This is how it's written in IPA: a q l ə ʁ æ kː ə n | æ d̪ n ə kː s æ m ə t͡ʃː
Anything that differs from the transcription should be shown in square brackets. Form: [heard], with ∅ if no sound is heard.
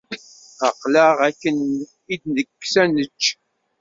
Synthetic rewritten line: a q l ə ʁ æ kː ə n | [i] d̪ n ə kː s æ [n] ə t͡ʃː

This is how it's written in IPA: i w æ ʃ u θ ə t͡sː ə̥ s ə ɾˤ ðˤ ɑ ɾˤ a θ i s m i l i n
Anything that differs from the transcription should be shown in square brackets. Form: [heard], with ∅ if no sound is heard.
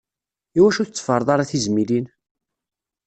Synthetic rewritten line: i w æ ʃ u θ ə t͡sː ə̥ [f] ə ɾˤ ðˤ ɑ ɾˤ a θ i [z] m i l i n

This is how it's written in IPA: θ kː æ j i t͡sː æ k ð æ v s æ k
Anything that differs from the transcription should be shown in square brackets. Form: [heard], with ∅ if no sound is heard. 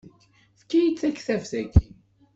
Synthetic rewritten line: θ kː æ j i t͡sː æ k [θ] æ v [θ] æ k

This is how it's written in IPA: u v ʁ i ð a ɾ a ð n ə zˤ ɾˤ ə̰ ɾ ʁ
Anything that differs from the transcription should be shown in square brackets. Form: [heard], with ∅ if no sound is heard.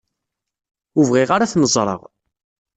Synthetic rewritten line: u v ʁ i [ʁ] a ɾ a [θ] n ə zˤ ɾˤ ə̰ [∅] ʁ

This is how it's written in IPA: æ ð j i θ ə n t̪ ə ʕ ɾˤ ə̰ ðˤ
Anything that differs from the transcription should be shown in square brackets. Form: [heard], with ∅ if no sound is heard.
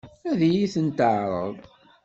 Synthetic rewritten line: æ ð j i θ ə n t̪ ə ʕ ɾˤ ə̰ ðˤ

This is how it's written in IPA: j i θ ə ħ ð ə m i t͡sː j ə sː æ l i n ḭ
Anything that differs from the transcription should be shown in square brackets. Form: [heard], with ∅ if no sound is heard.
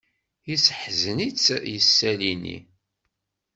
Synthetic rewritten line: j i [s] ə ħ [z] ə [n] i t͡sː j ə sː æ l i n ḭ

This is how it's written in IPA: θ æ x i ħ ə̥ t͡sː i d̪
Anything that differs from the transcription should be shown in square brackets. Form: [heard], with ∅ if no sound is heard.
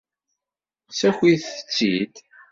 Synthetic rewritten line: [s] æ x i [θ] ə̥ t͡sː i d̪

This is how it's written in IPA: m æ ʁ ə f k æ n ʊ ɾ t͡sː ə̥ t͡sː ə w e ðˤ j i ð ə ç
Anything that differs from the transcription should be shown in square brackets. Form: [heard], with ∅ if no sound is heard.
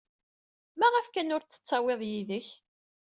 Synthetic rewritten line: m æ ʁ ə f k æ n ʊ ɾ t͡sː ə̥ t͡sː [ɑ] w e ðˤ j i ð ə ç

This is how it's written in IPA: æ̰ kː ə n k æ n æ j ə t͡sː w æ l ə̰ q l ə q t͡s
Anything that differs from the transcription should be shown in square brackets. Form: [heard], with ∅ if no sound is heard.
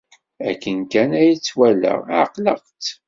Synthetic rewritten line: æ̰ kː ə n k æ n æ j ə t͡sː w æ l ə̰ q l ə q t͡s

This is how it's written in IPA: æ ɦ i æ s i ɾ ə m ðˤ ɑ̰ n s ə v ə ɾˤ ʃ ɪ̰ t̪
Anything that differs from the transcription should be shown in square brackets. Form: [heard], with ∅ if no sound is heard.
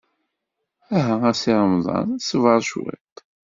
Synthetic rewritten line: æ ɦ [æ] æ s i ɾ ə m ðˤ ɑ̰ n s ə v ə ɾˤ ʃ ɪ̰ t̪

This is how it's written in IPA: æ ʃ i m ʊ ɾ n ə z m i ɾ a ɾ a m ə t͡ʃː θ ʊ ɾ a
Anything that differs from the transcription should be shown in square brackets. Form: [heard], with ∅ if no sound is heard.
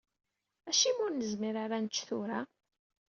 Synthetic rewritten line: æ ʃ i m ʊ ɾ n ə z m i ɾ a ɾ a [n] ə t͡ʃː θ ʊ ɾ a

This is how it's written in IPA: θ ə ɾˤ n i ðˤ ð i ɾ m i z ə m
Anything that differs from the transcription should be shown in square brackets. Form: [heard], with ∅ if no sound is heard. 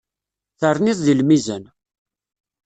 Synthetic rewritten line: θ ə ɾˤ n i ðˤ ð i [l] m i z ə [n]

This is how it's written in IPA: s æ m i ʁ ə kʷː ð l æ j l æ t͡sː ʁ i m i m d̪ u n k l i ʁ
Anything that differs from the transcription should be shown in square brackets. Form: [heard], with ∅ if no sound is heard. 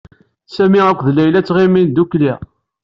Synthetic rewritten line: s æ m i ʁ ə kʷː ð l æ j l æ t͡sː ʁ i m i [n] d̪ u [∅] k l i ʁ

